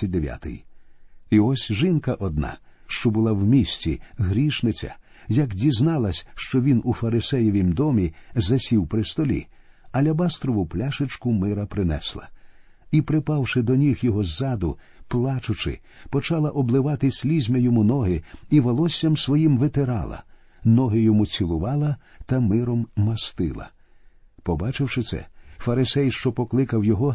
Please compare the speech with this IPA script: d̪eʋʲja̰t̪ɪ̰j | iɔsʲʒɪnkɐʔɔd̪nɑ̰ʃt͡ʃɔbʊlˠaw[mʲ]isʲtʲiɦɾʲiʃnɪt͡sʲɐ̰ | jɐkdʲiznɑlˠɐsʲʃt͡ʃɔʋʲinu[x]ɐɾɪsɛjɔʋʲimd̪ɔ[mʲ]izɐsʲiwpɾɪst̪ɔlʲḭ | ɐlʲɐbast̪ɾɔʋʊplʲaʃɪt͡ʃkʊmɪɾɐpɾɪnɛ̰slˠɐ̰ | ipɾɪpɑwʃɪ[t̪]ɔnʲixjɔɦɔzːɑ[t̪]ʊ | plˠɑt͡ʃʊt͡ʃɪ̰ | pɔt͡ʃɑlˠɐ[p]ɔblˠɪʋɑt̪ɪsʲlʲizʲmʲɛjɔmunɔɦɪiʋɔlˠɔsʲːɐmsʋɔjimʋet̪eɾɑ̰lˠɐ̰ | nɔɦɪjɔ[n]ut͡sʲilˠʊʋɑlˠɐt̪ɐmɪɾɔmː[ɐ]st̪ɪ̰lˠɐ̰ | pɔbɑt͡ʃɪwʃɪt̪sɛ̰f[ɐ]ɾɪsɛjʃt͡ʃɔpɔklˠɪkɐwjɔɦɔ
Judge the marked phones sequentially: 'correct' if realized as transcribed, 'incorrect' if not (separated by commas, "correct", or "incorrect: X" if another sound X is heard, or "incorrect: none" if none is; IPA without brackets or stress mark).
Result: correct, incorrect: f, correct, incorrect: d̪, incorrect: d̪, incorrect: ʔ, incorrect: m, correct, correct